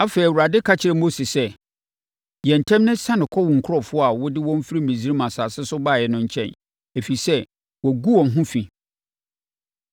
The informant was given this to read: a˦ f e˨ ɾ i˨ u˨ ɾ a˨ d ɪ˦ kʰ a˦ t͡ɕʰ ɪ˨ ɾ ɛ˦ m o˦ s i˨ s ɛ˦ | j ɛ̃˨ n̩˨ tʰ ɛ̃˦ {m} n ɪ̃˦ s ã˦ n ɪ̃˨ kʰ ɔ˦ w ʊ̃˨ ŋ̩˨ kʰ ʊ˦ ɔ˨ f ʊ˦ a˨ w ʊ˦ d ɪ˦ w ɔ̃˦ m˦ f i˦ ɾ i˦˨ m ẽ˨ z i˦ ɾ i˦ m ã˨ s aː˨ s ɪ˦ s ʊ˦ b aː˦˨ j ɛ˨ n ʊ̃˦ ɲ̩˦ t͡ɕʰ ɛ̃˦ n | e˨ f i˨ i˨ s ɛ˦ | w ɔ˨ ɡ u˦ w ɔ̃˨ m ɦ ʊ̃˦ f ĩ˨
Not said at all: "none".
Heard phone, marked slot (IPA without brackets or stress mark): m